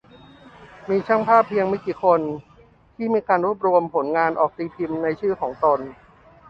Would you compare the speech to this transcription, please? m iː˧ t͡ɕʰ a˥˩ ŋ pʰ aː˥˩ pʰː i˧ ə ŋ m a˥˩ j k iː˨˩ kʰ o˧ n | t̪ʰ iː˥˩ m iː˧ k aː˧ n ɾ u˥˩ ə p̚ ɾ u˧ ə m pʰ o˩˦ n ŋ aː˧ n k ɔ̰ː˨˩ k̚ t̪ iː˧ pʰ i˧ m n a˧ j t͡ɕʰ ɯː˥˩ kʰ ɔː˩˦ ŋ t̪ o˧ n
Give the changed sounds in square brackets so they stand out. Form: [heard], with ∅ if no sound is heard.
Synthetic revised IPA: m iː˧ t͡ɕʰ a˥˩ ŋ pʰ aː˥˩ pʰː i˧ ə ŋ m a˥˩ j k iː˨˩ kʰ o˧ n | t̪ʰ iː˥˩ m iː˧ k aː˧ n ɾ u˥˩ ə p̚ ɾ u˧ ə m pʰ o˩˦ n ŋ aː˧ n [ʔ] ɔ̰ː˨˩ k̚ t̪ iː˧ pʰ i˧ m n a˧ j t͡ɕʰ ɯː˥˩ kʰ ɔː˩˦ ŋ t̪ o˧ n